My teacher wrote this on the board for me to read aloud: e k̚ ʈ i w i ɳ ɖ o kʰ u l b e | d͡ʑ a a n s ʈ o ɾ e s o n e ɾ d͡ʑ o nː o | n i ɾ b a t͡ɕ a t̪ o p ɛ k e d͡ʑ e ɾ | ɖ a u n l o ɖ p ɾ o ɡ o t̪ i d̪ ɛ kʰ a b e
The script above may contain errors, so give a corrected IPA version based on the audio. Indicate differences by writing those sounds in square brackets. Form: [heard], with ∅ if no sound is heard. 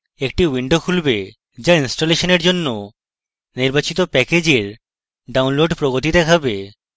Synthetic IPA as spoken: e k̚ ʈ i w i ɳ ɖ o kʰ u l b e | d͡ʑ a [i] n s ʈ o [l] e [ʃ] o n e ɾ d͡ʑ o nː o | n i ɾ b a t͡ɕ [i] t̪ o p ɛ k e d͡ʑ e ɾ | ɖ a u n l o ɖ p ɾ o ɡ o t̪ i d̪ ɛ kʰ a b e